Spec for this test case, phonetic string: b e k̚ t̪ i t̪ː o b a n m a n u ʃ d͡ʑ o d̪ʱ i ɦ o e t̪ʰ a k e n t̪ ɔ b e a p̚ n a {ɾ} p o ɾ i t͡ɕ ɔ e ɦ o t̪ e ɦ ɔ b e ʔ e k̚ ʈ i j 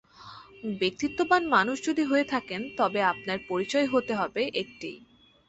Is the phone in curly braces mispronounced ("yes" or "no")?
no